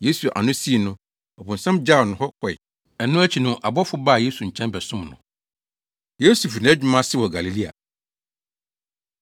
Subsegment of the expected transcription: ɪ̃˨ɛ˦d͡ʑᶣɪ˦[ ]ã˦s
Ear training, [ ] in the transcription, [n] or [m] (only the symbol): m